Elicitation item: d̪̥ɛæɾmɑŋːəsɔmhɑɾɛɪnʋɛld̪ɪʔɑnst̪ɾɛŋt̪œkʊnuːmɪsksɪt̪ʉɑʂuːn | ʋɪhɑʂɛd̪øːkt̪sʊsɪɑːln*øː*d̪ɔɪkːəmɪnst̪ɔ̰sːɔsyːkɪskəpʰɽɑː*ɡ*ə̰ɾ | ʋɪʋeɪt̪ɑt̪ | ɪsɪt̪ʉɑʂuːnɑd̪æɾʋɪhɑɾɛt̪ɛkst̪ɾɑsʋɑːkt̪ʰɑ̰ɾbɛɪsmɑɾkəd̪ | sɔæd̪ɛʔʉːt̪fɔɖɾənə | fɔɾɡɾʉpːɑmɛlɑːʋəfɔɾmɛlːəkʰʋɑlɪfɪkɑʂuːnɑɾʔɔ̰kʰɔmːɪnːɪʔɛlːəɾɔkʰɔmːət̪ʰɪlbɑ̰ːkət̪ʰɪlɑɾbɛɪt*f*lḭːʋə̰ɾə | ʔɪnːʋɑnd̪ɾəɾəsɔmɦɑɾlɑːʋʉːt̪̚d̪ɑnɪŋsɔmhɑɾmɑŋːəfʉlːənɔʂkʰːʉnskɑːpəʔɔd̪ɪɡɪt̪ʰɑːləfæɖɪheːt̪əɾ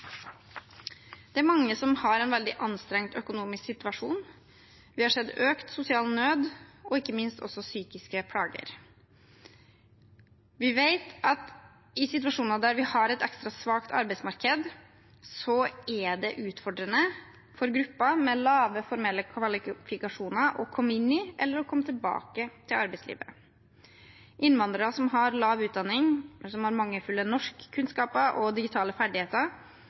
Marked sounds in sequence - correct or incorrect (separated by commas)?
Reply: correct, correct, incorrect